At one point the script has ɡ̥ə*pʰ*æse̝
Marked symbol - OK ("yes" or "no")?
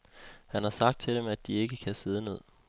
no